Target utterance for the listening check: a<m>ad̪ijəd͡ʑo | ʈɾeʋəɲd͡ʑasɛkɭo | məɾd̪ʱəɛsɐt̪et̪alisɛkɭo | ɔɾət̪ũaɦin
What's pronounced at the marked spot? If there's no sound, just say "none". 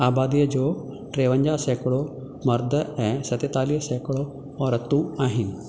b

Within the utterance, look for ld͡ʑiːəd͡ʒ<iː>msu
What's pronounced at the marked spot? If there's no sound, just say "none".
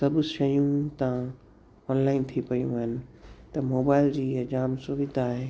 aː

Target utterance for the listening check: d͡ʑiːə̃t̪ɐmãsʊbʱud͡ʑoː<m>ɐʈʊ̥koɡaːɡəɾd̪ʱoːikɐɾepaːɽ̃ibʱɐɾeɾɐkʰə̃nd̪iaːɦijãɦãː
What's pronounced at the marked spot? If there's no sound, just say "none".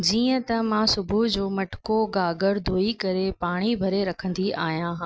m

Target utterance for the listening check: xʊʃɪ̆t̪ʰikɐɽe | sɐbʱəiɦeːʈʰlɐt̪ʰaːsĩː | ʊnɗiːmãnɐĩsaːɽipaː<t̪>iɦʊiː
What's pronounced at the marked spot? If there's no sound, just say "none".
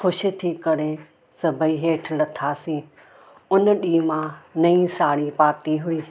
t̪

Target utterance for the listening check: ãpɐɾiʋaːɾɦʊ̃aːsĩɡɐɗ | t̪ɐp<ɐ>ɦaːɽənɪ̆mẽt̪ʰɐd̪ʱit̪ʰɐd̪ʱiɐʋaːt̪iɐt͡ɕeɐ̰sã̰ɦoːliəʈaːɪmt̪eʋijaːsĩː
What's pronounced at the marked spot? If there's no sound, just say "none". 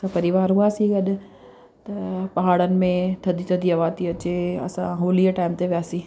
ɐ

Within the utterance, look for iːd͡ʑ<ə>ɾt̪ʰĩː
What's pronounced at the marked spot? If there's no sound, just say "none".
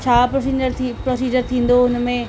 ə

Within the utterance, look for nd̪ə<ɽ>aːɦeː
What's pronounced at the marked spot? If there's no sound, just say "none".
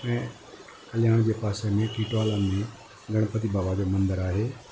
ɾ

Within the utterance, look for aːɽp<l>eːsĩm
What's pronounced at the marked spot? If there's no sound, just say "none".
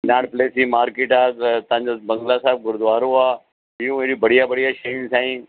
l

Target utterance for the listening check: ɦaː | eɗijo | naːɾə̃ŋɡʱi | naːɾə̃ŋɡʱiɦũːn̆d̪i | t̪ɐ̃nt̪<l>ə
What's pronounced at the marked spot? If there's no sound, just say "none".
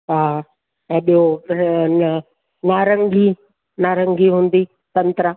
ɾ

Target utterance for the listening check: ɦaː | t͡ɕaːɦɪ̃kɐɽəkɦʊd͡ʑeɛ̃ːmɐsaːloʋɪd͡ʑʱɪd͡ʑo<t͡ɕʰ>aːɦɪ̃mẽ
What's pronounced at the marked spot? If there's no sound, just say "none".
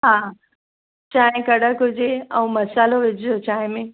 t͡ɕ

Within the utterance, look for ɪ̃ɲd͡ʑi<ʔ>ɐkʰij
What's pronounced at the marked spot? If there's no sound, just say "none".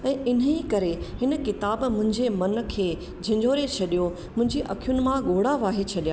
ʔ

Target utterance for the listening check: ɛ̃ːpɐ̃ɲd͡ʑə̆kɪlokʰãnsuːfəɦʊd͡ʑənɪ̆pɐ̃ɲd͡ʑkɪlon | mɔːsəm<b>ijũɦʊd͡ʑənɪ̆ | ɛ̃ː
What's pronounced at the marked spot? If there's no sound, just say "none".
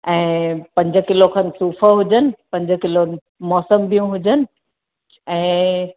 b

